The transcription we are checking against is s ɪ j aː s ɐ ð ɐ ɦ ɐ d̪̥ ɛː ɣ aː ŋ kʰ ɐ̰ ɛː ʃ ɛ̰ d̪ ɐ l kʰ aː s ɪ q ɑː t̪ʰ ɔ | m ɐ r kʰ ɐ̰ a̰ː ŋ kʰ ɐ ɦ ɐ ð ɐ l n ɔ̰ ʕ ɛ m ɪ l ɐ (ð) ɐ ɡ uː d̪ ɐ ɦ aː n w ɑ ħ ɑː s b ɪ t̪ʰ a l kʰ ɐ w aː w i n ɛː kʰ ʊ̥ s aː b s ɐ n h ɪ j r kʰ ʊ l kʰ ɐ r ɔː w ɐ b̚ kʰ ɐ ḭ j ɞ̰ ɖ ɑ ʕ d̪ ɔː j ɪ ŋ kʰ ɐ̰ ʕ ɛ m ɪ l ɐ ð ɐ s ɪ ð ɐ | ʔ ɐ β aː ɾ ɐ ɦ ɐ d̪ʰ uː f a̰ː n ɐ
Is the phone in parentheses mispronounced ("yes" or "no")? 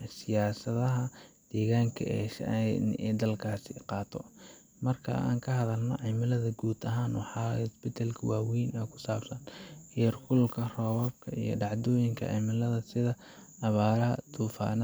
no